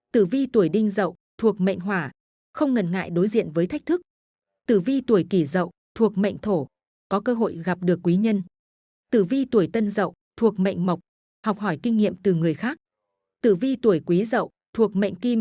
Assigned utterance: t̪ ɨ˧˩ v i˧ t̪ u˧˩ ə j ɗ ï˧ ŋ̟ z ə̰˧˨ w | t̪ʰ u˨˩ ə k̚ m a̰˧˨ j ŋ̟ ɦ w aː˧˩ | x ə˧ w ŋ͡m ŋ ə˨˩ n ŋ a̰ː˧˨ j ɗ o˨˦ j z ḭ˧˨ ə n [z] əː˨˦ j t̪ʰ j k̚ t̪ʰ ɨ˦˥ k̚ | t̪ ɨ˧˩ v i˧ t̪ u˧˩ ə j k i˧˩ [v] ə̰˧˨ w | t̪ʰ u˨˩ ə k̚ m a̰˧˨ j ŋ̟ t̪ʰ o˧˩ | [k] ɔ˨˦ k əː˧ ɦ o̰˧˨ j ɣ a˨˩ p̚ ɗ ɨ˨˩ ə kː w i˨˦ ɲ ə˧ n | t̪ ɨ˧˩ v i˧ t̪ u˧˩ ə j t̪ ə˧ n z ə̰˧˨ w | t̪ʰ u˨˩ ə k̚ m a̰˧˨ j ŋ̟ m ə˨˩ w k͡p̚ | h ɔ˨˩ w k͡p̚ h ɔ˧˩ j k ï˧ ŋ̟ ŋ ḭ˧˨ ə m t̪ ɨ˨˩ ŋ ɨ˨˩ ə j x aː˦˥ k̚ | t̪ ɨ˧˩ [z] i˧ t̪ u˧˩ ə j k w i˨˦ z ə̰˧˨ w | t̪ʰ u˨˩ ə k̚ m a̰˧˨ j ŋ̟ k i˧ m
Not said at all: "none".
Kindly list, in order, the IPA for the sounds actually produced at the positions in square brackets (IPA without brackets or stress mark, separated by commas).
v, z, k, v